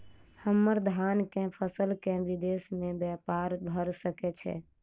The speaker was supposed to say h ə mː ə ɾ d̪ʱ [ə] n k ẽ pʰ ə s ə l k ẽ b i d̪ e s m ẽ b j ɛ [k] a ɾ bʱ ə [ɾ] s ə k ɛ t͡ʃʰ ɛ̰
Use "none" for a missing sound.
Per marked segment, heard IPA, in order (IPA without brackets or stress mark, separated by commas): a, p, ɾ